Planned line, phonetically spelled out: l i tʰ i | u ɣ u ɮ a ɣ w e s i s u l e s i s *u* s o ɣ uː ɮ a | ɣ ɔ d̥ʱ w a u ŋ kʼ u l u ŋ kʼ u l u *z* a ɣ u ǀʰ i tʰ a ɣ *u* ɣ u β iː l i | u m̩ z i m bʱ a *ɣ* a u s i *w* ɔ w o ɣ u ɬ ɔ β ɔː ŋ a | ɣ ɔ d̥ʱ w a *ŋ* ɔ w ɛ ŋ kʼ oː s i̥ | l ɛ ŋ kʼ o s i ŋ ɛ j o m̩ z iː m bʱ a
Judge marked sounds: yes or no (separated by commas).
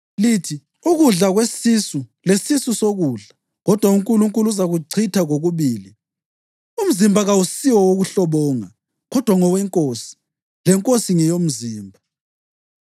yes, yes, no, yes, yes, yes